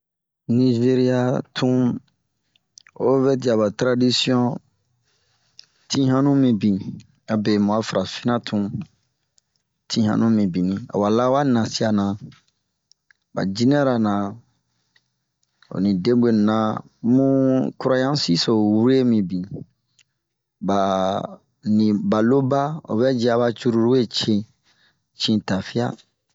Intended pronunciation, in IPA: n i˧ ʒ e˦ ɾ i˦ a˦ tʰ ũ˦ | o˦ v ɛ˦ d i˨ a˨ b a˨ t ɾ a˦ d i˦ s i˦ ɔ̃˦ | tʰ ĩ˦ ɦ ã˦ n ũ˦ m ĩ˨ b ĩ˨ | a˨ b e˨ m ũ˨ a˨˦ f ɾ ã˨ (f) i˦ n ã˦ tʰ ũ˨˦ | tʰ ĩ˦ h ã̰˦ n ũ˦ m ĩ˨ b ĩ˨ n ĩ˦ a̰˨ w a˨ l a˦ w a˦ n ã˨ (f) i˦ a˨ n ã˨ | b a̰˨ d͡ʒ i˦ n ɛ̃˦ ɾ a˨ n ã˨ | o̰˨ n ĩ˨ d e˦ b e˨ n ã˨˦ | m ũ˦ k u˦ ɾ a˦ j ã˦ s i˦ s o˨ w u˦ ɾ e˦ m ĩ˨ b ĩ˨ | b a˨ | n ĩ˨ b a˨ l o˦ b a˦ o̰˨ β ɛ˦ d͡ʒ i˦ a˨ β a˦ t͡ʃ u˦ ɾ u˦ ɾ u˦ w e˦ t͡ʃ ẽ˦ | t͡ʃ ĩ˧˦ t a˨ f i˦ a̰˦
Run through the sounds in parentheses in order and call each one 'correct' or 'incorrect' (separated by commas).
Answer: correct, incorrect